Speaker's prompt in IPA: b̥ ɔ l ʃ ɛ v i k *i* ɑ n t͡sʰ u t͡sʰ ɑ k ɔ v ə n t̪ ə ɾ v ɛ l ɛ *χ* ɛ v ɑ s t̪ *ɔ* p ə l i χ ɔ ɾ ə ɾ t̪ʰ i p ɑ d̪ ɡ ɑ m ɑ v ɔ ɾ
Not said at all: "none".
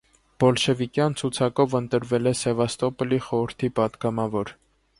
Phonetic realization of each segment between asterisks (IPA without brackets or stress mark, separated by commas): j, s, ɔ